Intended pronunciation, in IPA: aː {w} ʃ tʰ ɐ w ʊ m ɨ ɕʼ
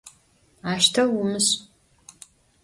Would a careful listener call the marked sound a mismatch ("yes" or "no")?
yes